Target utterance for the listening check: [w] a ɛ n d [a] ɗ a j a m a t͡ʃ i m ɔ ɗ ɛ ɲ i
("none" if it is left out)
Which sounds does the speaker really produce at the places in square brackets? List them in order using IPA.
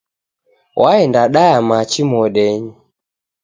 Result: w, a

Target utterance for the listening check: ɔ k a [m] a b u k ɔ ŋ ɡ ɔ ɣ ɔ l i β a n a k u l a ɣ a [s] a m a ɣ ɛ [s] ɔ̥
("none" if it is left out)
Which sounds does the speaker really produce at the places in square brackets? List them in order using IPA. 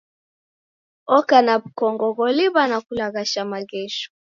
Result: n, ʃ, ʃ

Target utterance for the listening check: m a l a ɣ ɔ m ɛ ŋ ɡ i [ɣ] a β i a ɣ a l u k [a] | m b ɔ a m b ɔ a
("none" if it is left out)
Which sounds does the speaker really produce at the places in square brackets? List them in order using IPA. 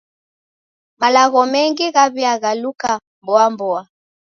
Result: ɣ, a

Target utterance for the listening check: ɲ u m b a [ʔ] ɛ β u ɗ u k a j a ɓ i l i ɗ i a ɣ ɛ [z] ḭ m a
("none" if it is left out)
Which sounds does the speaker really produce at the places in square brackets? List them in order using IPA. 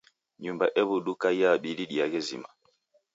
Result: ʔ, z

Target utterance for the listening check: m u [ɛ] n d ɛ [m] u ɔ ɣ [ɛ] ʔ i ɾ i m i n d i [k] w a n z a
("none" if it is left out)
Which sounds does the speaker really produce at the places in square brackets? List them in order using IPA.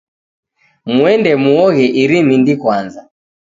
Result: ɛ, m, ɛ, k

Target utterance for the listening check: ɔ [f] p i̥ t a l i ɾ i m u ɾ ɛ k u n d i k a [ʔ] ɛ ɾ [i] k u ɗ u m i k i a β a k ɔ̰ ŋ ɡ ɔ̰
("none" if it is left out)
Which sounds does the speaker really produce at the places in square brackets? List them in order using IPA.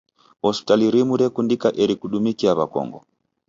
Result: s, ʔ, i

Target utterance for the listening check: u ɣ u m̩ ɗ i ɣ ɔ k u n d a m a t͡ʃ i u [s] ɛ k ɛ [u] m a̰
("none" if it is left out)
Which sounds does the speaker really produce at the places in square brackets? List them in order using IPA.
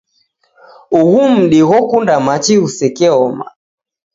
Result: s, ɔ

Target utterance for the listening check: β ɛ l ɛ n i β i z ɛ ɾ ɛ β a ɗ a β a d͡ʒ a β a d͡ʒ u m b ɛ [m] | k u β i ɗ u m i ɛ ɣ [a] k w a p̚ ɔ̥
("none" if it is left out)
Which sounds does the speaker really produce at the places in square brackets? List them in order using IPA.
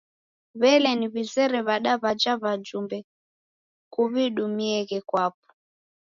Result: none, ɛ

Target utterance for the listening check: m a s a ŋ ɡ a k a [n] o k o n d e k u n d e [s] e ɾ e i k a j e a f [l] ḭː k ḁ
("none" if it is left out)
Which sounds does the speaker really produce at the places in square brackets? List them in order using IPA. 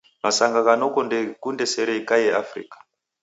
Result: n, s, r

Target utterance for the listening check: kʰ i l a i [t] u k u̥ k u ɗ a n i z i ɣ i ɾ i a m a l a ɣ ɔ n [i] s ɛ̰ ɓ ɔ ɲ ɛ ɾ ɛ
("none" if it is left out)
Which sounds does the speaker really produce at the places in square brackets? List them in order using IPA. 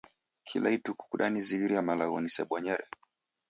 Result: t, i

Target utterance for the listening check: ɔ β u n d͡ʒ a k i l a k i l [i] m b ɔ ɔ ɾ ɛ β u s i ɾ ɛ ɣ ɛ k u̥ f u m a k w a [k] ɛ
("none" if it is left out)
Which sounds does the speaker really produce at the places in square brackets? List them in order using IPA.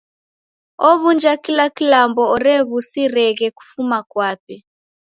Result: a, p

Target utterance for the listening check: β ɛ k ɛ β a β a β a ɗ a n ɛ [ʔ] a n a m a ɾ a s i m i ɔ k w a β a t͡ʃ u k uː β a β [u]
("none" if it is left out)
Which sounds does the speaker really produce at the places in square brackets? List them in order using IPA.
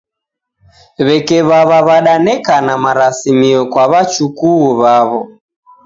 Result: k, ɔ

